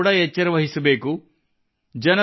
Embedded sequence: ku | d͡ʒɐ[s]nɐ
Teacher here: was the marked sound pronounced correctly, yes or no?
no